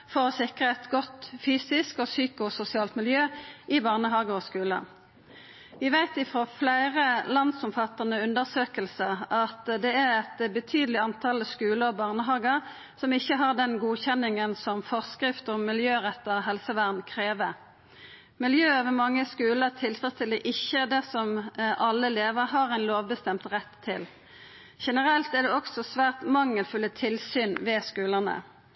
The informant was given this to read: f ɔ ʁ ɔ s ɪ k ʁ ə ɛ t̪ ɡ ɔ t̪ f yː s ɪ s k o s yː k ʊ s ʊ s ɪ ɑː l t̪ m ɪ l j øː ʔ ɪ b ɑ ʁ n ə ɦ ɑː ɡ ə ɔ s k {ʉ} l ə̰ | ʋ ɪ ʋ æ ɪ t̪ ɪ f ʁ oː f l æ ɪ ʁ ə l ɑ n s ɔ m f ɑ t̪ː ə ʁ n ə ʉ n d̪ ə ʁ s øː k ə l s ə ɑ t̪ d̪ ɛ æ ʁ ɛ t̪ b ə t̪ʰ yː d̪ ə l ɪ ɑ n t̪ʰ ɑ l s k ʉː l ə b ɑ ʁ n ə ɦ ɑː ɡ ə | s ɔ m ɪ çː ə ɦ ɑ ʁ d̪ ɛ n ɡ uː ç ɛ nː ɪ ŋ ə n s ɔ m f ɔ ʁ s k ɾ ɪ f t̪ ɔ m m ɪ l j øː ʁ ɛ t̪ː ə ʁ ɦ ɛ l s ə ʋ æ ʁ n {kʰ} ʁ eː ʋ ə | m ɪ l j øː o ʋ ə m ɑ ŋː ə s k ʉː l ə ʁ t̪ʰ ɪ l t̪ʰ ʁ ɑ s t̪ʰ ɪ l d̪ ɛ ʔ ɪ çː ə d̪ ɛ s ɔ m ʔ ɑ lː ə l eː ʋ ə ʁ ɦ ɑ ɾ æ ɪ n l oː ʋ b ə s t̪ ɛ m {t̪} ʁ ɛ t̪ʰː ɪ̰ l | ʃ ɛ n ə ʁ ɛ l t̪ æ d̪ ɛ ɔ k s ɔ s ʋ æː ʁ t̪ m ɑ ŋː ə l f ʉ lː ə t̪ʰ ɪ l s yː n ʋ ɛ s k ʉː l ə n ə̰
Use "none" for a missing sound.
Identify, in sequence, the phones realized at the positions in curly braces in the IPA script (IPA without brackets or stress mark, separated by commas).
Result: ʉː, kʰ, t̪